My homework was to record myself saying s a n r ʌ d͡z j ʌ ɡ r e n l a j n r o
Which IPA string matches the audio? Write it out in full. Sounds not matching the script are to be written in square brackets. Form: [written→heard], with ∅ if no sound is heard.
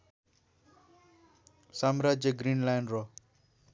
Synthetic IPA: s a [n→m] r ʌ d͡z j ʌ ɡ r [e→i] n l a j n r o

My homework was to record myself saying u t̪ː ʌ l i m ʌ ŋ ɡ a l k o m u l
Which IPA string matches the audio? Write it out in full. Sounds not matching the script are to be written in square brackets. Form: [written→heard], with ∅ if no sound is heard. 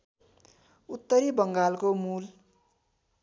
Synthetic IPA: u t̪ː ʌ [l→ɾ] i [m→b] ʌ ŋ ɡ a l k o m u l

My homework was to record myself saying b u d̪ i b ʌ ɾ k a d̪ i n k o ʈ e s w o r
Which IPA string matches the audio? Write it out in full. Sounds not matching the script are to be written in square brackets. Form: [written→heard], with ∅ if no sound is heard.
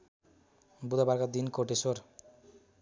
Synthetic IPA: b u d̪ [i→a] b [ʌ→a] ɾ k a d̪ i n k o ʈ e s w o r

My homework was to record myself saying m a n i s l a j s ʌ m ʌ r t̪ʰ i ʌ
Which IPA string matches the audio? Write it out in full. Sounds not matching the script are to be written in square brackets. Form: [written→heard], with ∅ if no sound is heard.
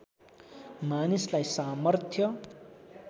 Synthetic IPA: m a n i s l a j s [ʌ→a] m ʌ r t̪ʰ [i→j] ʌ

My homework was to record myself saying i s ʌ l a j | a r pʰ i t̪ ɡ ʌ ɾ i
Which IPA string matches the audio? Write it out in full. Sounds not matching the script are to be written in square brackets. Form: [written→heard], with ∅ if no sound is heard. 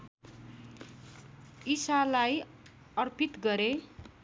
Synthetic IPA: i s [ʌ→a] l a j | [a→ʌ] r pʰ i t̪ ɡ ʌ ɾ [i→e]

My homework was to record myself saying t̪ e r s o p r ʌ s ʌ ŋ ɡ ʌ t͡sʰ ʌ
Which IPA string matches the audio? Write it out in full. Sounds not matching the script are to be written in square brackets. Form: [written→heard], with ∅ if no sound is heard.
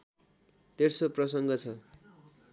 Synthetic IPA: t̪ e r s o p r ʌ s ʌ ŋ ɡ ʌ t͡sʰ ʌ

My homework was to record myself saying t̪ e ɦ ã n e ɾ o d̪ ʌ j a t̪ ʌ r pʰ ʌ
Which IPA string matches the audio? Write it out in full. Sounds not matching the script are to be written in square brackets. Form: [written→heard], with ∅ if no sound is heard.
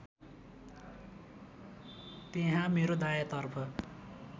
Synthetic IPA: t̪ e ɦ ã [n→m] e ɾ o d̪ [ʌ→a] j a t̪ ʌ r pʰ ʌ

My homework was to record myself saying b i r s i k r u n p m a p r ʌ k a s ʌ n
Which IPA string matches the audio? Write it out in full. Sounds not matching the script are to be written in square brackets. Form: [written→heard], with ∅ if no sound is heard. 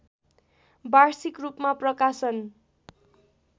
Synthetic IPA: b [i→a] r s i k r u [n→∅] p m a p r ʌ k a s ʌ n

